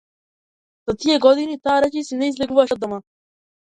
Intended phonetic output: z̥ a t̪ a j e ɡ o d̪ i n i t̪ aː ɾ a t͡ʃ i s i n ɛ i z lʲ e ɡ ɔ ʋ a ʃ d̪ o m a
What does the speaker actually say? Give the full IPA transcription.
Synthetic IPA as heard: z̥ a t̪ i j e ɡ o d̪ i n i t̪ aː ɾ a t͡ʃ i s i n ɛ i z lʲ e ɡ u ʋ a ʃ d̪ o m a